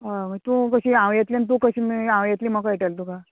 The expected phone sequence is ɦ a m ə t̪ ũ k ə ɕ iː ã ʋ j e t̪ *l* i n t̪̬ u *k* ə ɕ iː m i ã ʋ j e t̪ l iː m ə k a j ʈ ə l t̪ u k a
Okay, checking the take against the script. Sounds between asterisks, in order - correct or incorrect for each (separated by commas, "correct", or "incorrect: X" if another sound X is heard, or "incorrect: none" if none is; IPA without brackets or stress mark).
correct, correct